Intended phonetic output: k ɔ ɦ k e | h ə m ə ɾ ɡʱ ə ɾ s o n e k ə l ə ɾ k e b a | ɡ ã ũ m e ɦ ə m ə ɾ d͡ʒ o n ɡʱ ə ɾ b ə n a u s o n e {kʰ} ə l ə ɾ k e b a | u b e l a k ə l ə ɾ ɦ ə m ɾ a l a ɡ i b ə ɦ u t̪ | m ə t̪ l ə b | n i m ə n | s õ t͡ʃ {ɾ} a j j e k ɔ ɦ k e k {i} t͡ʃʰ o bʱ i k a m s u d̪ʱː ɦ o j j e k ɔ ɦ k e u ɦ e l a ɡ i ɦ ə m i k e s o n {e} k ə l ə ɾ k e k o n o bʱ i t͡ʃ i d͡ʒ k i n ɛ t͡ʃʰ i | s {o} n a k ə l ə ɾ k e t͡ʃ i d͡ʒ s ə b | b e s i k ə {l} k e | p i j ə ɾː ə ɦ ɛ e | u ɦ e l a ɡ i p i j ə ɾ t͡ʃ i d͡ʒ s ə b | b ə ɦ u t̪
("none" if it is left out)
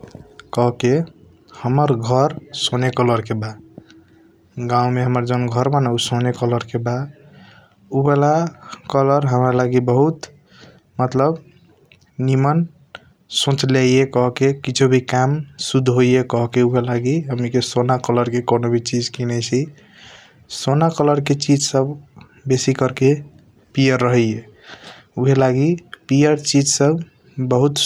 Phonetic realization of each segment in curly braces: k, l, i, a, o, ɾ

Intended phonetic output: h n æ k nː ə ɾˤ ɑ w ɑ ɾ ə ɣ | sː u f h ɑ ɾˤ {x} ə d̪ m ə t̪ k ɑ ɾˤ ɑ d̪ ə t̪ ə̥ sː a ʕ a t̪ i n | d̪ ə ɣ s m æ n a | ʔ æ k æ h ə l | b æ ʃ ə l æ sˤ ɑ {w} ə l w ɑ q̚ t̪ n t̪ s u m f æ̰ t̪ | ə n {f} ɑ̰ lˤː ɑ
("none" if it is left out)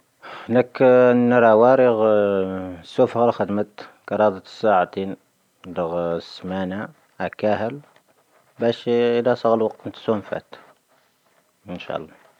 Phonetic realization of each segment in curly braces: x, ɣ, ʃ

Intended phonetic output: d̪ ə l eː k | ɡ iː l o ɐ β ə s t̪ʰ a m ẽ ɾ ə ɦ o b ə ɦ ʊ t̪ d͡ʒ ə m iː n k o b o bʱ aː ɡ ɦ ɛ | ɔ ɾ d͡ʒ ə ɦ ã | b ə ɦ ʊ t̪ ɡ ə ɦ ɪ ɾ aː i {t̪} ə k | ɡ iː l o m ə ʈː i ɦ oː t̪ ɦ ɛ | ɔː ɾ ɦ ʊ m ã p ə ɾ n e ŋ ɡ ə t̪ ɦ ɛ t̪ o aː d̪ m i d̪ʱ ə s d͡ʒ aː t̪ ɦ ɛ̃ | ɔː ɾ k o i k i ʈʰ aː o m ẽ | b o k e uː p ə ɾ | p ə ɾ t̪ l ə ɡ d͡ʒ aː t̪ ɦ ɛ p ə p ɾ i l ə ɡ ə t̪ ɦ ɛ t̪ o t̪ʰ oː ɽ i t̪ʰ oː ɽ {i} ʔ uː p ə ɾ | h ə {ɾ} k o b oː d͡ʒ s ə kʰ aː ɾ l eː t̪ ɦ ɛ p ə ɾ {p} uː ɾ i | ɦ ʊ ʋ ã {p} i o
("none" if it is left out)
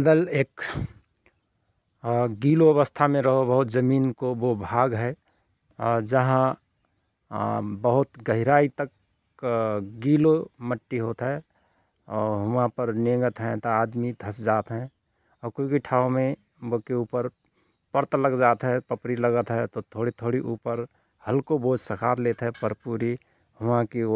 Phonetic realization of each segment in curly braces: t̪, i, l, p, k

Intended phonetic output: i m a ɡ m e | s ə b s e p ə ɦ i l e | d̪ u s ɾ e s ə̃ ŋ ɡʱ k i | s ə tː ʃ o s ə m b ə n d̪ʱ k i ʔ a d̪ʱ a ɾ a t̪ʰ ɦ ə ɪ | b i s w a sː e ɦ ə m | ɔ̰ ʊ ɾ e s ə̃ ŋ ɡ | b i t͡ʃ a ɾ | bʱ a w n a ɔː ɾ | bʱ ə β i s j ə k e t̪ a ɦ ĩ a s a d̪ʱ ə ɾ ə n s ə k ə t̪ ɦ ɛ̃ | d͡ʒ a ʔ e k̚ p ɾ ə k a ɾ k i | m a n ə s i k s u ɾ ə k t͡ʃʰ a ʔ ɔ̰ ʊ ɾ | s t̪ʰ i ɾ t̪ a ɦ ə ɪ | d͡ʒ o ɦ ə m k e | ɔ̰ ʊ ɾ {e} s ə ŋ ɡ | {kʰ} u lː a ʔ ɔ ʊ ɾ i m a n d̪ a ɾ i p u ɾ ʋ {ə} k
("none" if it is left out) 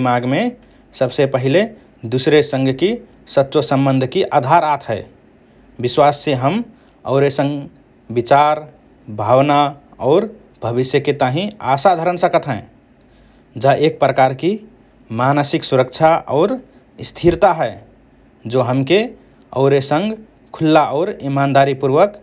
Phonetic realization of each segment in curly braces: e, kʰ, ə

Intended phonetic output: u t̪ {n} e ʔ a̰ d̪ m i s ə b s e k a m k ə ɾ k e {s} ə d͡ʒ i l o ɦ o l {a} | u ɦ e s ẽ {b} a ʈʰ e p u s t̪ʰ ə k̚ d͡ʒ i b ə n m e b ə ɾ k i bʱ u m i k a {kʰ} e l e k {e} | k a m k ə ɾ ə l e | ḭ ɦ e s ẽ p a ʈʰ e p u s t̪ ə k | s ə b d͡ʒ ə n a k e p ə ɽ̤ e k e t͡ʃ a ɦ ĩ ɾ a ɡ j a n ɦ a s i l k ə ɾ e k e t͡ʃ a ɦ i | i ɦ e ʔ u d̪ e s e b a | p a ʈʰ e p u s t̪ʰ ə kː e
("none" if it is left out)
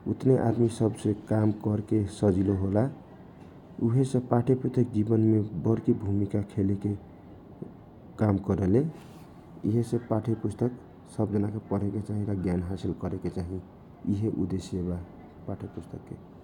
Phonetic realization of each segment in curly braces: n, s, a, p, kʰ, e

